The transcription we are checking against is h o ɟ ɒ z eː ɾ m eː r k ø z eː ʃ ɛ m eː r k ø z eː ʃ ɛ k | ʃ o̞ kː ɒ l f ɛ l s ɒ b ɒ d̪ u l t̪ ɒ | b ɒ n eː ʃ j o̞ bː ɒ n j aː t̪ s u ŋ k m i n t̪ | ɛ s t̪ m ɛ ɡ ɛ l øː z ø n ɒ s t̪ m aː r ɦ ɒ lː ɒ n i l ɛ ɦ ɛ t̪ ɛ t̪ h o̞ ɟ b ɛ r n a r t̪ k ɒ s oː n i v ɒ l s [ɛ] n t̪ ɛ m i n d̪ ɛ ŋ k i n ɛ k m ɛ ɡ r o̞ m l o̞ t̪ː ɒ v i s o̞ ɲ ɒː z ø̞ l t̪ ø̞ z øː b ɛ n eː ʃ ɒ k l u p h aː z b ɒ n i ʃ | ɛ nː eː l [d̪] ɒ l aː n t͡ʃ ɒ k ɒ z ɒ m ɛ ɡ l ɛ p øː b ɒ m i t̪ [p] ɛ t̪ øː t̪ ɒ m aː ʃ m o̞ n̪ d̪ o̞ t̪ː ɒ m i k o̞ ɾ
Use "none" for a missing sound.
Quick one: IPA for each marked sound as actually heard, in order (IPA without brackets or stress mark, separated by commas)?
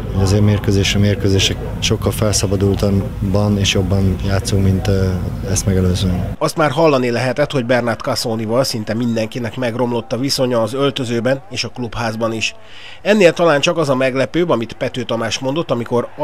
i, t̪, p